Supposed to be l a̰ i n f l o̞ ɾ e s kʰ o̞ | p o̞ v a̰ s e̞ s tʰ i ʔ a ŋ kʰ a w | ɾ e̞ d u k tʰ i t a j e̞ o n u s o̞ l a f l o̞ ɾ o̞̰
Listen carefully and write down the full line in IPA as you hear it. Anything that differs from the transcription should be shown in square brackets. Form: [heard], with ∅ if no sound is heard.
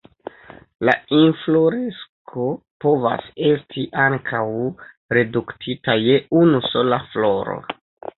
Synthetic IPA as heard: l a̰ i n f l o̞ ɾ e s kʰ o̞ | p o̞ v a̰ s e̞ s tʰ i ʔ a ŋ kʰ a w | ɾ e̞ d u k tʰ i t a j e̞ [u] n u s o̞ l a f l o̞ ɾ o̞̰